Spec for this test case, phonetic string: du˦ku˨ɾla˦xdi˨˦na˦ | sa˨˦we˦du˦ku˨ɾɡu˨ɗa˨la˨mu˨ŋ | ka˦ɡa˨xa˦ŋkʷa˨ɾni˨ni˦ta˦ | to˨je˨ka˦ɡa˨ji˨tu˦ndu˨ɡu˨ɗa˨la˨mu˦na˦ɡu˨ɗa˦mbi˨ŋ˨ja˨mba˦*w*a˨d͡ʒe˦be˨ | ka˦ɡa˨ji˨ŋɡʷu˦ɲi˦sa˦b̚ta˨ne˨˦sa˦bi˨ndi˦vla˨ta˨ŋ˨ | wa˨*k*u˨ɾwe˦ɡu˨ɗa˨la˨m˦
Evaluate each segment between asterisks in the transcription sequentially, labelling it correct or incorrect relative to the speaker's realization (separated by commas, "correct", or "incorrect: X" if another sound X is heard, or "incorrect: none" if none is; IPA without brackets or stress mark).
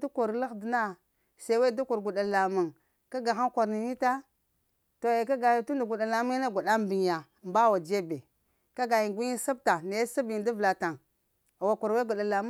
correct, correct